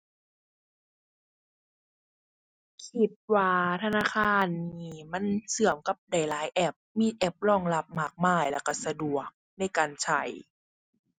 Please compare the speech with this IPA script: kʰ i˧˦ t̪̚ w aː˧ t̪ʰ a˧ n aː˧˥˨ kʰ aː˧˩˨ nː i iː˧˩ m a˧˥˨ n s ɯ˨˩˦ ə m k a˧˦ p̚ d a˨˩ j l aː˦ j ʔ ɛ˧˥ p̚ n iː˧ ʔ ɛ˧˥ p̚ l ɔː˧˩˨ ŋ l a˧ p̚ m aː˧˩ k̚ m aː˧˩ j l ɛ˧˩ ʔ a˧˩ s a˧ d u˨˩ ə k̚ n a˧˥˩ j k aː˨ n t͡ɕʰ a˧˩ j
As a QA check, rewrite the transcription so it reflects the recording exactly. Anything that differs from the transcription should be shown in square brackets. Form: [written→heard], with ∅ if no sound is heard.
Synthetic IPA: kʰ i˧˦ t̪̚ w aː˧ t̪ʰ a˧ n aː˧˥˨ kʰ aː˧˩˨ nː i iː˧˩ m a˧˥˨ n s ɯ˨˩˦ ə m k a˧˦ p̚ d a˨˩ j l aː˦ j ʔ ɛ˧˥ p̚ [n→m] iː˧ ʔ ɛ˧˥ p̚ l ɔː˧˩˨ ŋ l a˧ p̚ m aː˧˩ k̚ m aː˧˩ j l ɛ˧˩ [ʔ→k] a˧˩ s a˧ d u˨˩ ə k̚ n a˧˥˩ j k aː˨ n t͡ɕʰ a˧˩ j